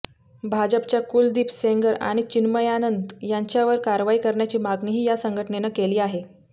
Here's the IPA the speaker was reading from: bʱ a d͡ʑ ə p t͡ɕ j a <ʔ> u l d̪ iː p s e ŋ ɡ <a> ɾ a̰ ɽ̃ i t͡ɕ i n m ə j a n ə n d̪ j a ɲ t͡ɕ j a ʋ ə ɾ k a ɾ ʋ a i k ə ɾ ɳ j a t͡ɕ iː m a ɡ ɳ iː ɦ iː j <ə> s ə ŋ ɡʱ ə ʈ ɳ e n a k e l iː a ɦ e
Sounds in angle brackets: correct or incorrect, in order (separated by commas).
incorrect, incorrect, incorrect